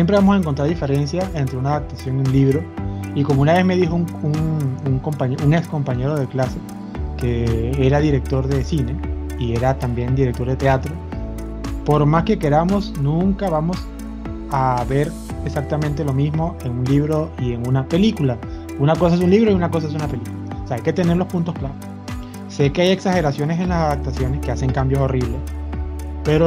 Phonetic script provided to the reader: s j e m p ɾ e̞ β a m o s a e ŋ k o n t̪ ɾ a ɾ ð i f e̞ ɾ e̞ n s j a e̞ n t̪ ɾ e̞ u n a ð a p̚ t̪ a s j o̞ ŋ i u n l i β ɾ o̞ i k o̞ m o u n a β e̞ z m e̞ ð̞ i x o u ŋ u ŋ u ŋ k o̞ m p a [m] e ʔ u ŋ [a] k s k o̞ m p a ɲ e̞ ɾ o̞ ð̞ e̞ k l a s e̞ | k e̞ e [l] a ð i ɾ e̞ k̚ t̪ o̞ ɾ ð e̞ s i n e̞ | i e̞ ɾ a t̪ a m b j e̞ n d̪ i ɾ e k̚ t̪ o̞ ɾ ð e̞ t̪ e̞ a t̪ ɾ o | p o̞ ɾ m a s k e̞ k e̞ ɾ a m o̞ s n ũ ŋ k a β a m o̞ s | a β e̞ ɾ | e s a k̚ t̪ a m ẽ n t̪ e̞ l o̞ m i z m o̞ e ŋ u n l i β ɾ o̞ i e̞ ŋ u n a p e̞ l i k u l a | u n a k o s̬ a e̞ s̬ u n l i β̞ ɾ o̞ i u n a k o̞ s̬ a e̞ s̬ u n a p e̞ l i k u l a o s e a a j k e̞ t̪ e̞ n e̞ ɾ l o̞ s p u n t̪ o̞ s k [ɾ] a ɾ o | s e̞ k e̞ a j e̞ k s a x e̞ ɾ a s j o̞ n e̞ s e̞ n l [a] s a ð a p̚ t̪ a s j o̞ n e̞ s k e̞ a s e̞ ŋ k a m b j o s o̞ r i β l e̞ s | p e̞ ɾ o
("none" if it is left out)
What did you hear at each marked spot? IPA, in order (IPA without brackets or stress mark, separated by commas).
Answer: ɲ, e, ɾ, l, a